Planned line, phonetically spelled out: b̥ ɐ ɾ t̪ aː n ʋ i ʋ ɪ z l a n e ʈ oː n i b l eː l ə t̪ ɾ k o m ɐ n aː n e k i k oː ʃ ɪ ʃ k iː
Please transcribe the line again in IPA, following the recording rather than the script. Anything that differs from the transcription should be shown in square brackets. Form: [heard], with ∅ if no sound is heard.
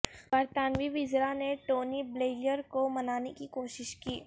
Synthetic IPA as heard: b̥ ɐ ɾ t̪ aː n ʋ i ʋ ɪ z [ɾ] a n e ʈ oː n i b l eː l ə [∅] ɾ k o m ɐ n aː n e k i k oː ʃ ɪ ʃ k iː